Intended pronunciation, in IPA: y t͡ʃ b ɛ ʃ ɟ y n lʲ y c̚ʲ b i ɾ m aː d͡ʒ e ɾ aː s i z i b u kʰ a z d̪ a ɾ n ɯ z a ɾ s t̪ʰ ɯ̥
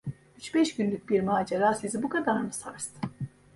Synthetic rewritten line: y t͡ʃ b ɛ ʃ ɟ y n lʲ y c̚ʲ b i ɾ m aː d͡ʒ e ɾ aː s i z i b u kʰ a d̪ a ɾ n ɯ s a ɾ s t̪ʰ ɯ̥

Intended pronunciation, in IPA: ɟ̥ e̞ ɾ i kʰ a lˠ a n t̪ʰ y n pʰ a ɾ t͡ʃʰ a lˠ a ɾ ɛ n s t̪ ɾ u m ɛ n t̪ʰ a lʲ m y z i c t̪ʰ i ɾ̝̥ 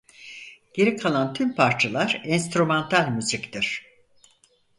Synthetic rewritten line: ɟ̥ e̞ ɾ i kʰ a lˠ a n t̪ʰ y m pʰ a ɾ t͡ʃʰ a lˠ a ɾ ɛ n s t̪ ɾ u m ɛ n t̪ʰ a lʲ m y z i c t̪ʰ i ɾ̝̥

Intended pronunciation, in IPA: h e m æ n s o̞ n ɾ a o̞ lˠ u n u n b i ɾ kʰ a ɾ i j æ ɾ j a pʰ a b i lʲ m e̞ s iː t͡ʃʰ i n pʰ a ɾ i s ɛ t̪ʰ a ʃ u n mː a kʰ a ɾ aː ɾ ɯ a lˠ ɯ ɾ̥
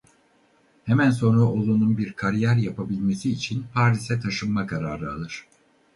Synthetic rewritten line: h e m æ n s o̞ n ɾ a o̞ lˠ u n u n b i ɾ kʰ a ɾ i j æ ɾ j a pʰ a b i lʲ m e̞ s iː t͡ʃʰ i n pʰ a ɾ i s ɛ t̪ʰ a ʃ ɯ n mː a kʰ a ɾ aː ɾ ɯ a lˠ ɯ ɾ̥

